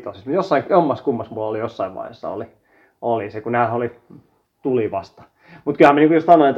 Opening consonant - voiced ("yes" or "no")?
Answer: no